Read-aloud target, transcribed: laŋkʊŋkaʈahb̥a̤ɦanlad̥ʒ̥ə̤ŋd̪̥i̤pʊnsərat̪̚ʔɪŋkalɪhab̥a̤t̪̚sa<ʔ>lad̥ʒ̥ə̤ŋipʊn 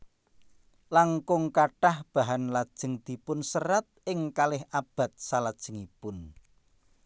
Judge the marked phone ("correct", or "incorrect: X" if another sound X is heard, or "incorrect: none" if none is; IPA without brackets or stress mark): incorrect: none